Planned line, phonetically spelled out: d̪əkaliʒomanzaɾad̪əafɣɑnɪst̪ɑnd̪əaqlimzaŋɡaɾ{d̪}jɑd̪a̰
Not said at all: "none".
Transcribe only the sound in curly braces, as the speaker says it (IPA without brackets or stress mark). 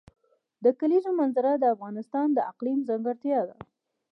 t̪